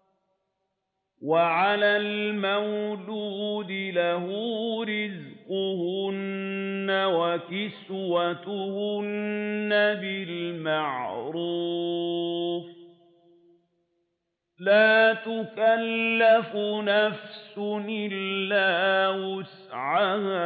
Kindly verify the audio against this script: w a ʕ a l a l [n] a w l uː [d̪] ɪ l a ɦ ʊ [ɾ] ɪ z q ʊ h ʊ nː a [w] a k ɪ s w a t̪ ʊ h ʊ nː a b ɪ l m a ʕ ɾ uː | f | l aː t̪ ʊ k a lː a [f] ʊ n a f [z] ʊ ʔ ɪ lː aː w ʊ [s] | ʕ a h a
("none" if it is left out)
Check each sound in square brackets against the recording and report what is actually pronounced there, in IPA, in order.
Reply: m, d̪, ɾ, w, f, s, s

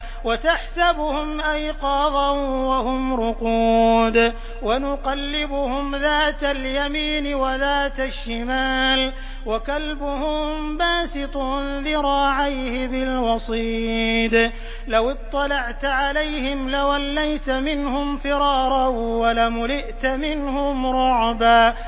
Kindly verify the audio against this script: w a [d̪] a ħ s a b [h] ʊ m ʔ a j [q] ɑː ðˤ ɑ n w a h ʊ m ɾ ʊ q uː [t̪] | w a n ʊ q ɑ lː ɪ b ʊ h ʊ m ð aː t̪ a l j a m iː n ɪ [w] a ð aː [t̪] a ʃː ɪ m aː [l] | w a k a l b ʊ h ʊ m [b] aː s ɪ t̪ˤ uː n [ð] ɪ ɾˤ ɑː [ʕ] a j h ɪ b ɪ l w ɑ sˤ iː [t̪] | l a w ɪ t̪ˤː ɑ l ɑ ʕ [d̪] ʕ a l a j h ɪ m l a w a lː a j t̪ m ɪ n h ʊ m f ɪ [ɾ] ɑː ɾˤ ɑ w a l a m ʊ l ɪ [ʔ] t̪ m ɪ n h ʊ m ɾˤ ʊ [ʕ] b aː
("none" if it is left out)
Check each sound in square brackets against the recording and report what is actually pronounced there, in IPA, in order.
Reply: t̪, h, q, d̪, w, t̪, l, b, ð, ʕ, d̪, t̪, ɾ, ʔ, ʕ

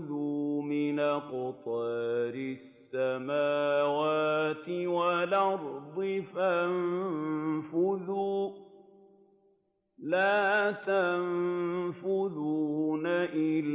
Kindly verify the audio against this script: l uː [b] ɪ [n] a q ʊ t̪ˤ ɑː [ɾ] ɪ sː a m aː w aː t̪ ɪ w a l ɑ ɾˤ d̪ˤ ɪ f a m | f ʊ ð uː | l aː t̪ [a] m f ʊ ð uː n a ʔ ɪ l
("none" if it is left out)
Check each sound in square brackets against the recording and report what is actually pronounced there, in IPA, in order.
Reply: m, n, ɾ, a

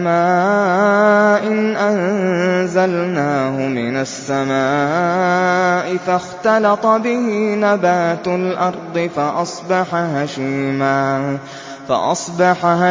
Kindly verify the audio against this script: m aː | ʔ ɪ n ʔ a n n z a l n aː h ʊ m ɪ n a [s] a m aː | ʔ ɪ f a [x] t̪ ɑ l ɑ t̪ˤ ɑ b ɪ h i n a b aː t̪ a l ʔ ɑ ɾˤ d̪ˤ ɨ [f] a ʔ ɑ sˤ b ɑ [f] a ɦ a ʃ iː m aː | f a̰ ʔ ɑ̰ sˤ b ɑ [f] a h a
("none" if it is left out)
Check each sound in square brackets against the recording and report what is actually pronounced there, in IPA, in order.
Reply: sː, x, f, ħ, ħ

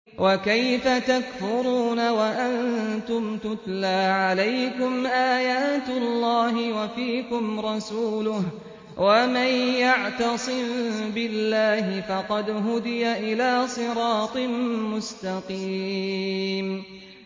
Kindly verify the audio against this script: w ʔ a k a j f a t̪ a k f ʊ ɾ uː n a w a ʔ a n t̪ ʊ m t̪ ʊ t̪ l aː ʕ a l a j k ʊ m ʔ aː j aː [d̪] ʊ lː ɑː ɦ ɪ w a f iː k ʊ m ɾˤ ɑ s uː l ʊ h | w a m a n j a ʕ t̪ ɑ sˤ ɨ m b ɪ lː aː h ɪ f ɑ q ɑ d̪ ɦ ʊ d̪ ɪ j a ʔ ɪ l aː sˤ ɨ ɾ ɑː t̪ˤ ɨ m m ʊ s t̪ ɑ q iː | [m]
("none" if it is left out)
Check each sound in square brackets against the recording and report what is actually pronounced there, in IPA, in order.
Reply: t̪, m

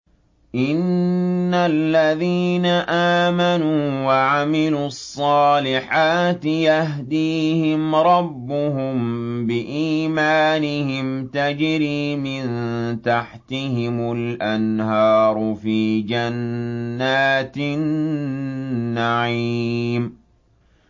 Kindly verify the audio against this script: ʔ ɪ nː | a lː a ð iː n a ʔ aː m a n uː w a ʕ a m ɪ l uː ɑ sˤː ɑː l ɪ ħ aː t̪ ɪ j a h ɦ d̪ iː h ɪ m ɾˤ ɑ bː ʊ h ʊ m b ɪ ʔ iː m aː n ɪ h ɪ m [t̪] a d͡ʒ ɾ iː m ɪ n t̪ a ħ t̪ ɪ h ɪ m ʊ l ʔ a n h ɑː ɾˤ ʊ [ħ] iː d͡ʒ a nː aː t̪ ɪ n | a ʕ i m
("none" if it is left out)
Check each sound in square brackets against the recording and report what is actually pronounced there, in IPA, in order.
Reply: t̪, f

